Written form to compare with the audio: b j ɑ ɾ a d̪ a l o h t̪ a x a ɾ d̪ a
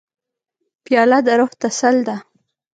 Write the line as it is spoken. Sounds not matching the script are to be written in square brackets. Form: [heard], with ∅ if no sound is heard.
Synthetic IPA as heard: [p] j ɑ [l] a d̪ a [ɾ] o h t̪ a [s] a [l] d̪ a